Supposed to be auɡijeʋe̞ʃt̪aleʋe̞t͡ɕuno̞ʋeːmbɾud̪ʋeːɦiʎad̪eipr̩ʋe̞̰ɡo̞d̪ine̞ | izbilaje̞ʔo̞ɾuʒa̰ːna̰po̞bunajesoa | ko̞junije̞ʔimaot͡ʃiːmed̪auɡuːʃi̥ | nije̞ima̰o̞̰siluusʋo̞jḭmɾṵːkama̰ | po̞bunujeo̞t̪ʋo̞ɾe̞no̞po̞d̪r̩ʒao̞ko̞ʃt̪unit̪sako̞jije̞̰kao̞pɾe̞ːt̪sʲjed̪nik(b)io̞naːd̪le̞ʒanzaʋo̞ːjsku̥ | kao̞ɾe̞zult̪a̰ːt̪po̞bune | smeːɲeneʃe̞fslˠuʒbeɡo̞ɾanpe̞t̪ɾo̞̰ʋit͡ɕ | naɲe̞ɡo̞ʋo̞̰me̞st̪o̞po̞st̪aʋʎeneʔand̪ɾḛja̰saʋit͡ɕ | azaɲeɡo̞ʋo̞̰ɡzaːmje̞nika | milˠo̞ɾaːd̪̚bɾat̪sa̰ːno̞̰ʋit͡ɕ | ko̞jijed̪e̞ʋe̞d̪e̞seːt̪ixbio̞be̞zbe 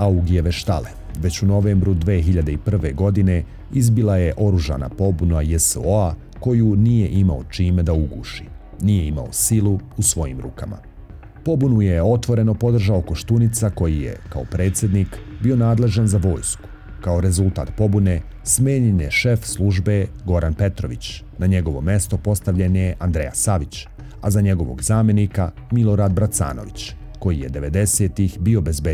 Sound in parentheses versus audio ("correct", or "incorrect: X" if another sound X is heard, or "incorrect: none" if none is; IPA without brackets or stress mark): correct